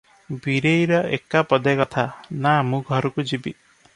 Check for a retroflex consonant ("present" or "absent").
absent